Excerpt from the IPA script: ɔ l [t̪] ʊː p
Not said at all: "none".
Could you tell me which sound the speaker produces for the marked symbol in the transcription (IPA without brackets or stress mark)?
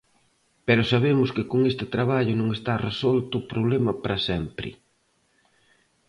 t̪